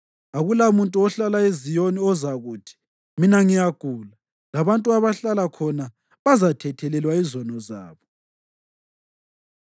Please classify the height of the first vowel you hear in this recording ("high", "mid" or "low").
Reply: low